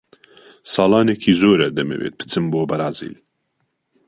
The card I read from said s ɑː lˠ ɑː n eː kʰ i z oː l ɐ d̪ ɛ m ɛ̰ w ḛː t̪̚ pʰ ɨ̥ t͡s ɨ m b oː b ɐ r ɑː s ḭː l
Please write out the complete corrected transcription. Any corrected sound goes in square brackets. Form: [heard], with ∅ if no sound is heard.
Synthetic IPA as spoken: s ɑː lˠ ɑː n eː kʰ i z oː [ɾ] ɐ d̪ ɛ m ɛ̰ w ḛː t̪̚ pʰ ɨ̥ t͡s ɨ m b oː b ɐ [ɾ] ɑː [z] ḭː l